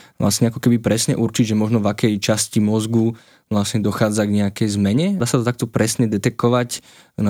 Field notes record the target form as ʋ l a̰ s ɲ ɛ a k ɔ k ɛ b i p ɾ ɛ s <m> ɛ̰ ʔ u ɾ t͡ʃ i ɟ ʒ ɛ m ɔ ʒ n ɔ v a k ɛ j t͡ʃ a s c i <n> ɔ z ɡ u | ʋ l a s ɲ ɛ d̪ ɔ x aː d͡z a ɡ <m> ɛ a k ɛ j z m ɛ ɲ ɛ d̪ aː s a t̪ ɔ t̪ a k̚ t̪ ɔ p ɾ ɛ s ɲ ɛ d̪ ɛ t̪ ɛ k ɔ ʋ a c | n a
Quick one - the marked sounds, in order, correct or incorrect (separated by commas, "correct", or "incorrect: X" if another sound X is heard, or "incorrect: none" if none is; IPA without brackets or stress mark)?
incorrect: ɲ, incorrect: m, incorrect: ɲ